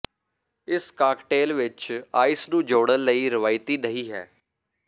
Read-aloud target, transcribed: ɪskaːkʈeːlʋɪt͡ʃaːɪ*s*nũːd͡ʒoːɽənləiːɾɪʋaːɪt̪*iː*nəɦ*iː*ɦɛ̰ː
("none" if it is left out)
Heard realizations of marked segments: s, iː, iː

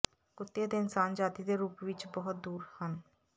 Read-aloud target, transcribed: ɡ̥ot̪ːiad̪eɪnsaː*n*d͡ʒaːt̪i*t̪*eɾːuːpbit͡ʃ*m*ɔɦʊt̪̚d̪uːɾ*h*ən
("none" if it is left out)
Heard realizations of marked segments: n, d̪, b, h

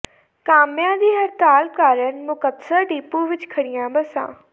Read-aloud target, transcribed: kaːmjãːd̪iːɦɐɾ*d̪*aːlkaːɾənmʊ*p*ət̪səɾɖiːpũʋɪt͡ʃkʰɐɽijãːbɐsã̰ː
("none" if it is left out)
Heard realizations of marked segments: t̪, k

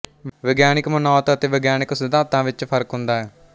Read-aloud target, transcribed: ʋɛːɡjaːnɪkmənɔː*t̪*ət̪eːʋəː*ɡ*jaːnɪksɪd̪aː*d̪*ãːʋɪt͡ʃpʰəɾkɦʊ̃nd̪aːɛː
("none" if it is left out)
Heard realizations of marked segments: t̪, ɡ, t̪

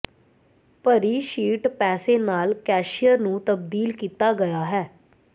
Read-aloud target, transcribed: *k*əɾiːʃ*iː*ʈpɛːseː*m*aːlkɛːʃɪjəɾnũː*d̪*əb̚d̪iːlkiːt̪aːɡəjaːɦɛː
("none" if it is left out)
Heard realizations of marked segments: p, iː, n, t̪

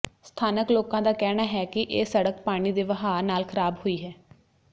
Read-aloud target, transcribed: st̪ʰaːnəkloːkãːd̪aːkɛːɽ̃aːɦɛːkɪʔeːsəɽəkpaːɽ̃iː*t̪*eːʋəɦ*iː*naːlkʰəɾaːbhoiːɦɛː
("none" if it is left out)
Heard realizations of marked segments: d̪, aː

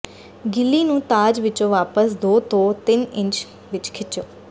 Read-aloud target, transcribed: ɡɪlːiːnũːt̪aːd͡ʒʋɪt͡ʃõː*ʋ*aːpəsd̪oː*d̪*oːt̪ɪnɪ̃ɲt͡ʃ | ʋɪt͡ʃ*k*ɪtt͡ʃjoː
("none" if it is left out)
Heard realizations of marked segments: ʋ, t̪, kʰ

